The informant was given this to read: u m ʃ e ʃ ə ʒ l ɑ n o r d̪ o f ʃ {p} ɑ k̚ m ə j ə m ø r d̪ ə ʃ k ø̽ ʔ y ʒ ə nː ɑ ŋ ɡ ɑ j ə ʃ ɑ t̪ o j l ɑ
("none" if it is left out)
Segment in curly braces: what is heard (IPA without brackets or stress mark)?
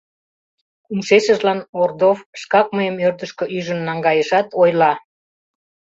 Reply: k